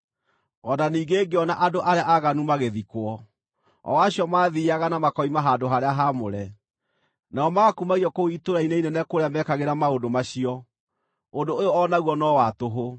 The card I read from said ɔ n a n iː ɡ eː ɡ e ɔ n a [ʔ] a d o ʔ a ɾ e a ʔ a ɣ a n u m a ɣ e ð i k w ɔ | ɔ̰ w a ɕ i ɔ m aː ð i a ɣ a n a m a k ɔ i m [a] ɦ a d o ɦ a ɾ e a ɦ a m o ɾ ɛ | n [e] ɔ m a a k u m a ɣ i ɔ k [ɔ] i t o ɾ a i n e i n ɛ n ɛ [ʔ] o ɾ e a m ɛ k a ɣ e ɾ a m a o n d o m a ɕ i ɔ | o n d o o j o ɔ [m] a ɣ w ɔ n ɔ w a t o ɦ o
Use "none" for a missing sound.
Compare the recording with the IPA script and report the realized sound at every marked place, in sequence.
ʔ, a, a, o, k, n

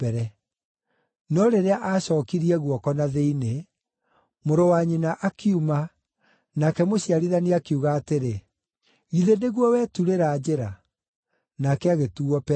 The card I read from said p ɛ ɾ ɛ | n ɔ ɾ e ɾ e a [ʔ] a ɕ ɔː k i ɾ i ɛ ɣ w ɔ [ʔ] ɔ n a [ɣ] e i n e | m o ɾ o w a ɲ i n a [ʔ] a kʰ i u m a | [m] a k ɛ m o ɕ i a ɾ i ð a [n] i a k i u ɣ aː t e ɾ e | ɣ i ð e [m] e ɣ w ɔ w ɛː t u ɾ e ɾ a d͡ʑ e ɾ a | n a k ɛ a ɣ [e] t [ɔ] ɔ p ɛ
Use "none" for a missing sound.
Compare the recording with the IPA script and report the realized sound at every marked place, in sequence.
ʔ, k, ð, ʔ, n, n, n, e, u

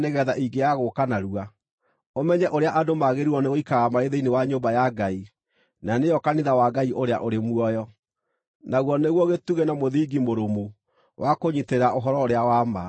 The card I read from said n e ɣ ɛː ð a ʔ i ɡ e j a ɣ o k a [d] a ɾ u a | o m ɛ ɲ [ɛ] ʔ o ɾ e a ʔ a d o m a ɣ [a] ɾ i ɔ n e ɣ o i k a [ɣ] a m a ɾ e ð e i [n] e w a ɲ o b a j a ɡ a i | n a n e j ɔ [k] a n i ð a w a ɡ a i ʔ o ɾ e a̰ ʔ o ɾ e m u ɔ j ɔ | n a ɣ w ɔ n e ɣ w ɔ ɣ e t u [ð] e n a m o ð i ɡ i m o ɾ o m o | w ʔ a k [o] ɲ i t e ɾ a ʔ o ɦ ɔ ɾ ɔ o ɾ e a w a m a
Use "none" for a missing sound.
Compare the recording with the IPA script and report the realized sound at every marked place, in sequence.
n, ɛ, e, ɣ, n, k, ɣ, o

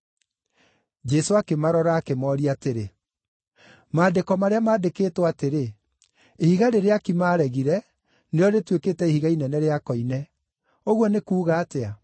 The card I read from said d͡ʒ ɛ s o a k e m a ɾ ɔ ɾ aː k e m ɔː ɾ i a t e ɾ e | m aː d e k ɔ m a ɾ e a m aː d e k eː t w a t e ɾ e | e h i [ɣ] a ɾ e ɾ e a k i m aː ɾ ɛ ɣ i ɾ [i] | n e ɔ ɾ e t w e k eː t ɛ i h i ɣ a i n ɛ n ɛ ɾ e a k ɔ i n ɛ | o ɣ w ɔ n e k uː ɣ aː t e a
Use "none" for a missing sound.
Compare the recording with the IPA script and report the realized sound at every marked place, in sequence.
ɣ, ɛ

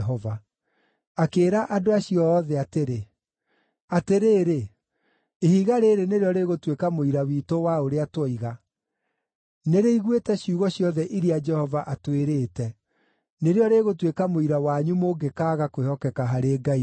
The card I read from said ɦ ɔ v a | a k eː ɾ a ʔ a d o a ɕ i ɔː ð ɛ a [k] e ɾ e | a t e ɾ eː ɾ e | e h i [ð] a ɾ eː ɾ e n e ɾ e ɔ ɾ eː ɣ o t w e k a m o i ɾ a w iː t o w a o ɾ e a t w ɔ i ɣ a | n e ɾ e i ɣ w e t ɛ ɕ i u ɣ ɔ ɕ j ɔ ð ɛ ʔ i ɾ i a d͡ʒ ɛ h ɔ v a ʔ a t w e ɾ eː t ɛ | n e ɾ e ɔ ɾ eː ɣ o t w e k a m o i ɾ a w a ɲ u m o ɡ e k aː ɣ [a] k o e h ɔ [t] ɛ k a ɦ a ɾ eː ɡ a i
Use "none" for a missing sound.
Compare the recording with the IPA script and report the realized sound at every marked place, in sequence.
t, ɣ, a, k

